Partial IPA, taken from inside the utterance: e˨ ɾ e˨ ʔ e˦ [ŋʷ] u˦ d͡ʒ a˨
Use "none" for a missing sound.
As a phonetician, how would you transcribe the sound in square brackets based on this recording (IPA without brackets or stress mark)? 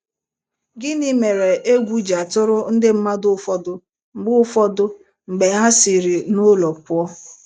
ɡʷ